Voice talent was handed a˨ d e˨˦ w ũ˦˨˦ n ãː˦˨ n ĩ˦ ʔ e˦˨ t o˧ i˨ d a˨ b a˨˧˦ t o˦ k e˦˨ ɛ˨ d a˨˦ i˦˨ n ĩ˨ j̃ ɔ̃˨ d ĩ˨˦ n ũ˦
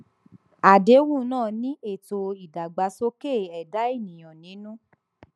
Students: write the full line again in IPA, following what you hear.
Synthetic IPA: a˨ d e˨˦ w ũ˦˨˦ n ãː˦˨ n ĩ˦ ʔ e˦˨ t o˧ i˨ d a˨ ɡ͡b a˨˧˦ s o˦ k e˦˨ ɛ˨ d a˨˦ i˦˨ n ĩ˨ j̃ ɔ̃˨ n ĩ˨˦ n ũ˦